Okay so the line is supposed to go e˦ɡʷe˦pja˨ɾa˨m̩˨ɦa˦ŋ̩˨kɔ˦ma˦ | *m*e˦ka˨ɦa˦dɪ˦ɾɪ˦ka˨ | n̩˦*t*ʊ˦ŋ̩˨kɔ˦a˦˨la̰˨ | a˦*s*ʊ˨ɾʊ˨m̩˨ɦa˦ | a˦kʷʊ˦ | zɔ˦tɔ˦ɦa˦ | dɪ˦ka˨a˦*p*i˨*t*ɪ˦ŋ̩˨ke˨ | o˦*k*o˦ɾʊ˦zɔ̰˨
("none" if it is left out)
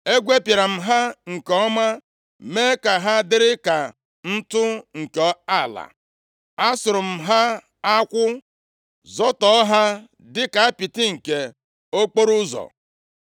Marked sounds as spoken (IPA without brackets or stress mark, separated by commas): m, t, s, p, t, k͡p